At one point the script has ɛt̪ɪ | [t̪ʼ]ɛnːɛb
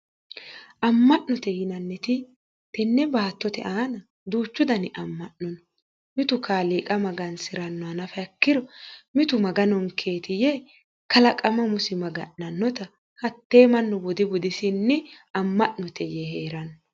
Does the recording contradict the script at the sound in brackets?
yes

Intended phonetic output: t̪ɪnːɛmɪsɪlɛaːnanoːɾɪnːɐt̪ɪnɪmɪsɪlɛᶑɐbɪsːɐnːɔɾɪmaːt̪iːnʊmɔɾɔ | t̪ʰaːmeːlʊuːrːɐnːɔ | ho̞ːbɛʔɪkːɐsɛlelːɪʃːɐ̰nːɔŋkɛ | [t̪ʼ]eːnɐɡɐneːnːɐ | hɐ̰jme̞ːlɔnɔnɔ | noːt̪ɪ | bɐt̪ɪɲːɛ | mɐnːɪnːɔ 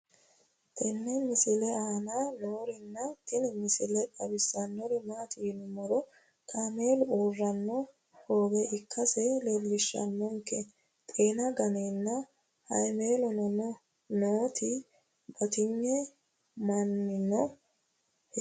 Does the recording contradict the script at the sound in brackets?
no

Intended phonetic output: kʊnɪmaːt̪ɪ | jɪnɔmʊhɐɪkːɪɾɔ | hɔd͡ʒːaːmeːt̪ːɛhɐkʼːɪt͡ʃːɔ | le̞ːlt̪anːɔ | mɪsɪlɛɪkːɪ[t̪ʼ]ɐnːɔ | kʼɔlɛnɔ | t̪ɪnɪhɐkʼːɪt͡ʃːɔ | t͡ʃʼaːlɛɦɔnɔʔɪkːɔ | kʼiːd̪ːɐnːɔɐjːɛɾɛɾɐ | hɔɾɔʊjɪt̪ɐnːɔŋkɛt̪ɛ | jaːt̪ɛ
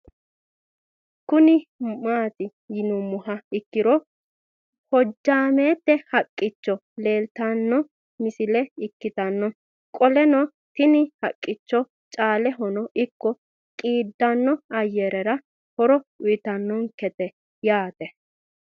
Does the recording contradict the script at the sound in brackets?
yes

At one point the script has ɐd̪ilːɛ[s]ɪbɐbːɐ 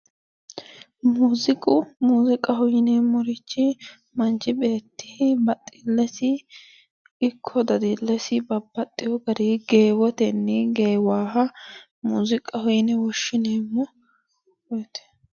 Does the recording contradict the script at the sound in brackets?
no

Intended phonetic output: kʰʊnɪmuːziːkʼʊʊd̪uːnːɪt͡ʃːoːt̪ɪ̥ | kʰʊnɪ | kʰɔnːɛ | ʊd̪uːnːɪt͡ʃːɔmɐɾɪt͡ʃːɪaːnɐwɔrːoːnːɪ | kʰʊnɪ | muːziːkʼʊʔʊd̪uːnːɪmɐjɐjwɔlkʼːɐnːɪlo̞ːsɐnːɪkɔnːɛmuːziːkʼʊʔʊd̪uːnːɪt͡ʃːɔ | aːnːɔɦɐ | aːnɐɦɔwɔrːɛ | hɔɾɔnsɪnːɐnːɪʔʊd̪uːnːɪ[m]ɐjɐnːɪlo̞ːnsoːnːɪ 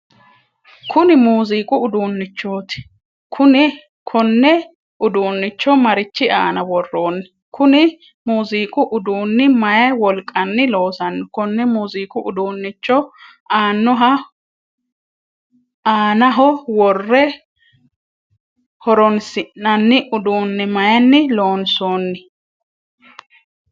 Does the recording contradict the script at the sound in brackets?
no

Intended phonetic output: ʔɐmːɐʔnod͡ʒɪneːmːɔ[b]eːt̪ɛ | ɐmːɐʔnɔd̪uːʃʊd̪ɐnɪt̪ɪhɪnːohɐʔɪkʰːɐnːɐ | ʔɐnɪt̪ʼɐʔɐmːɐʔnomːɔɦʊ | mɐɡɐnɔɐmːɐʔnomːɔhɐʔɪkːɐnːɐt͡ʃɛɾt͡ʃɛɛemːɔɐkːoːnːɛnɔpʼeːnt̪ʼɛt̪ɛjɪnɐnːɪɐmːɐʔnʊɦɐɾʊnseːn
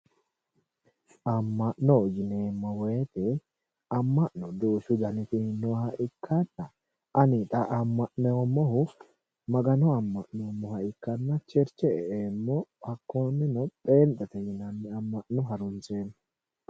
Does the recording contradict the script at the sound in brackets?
yes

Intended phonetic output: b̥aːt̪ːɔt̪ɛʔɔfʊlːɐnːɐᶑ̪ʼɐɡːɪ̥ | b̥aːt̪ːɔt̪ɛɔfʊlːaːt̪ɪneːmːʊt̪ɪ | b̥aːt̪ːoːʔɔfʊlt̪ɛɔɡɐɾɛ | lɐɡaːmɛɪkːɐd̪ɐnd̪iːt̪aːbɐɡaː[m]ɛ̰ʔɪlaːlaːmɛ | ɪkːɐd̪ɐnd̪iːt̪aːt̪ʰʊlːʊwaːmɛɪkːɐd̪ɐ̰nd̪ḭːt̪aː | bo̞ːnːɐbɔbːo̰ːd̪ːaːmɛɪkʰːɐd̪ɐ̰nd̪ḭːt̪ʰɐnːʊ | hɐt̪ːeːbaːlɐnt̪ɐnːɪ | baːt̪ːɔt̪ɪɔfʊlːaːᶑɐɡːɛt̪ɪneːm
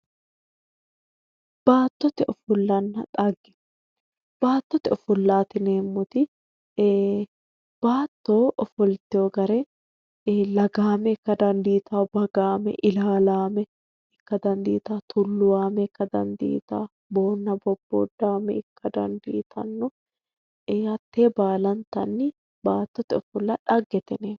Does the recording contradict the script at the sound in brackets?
no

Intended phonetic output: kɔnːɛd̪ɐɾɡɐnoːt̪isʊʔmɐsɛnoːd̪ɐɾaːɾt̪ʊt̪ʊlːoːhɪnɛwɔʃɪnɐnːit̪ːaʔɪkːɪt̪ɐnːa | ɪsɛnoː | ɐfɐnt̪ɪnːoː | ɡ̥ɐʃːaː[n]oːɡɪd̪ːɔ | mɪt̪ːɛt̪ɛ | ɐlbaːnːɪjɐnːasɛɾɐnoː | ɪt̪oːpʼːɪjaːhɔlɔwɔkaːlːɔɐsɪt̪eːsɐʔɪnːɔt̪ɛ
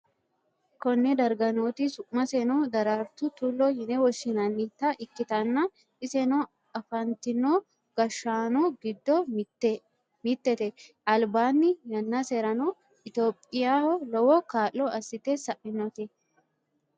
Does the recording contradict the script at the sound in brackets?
no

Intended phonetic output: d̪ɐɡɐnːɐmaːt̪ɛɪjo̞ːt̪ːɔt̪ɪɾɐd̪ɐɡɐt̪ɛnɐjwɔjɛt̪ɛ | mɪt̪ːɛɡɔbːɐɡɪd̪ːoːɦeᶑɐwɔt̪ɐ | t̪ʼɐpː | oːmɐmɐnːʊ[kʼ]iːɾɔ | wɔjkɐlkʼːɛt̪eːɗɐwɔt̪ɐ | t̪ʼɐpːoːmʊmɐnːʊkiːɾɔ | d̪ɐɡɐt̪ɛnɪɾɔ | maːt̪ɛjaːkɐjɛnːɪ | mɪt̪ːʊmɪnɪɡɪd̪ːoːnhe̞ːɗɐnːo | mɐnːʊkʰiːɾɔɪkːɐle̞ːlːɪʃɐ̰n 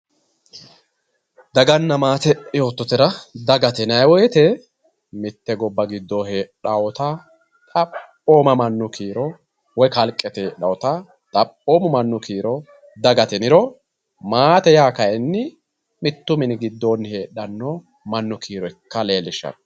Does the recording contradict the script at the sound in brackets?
yes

